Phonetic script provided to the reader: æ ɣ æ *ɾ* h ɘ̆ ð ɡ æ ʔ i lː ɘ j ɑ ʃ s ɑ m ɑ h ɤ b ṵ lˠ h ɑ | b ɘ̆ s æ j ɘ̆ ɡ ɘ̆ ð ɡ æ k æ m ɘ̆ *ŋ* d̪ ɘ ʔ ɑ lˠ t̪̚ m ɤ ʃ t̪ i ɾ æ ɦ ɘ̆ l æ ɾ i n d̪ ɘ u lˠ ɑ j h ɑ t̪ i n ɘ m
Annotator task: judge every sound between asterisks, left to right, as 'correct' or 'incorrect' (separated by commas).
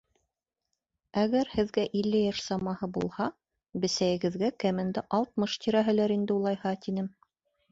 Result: correct, incorrect